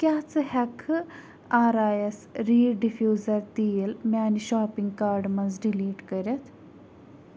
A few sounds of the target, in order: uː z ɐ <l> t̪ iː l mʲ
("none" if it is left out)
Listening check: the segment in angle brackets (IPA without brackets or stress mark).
ɾ